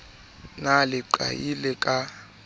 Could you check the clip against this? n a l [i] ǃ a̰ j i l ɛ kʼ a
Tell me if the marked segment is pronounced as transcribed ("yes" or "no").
no